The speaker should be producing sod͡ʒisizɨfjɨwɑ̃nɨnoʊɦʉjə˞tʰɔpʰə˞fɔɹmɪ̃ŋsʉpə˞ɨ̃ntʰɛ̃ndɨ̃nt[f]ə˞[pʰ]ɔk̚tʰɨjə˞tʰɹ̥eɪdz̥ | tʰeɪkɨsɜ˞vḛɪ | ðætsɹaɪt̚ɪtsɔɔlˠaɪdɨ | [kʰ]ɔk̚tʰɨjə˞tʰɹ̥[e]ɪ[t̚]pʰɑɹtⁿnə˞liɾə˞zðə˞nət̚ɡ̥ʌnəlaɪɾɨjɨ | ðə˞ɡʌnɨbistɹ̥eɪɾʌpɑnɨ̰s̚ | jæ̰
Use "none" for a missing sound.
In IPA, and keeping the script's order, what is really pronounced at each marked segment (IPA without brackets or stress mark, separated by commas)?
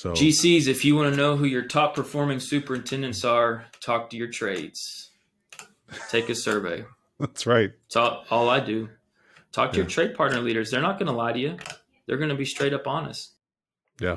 s, tʰ, tʰ, e, d̚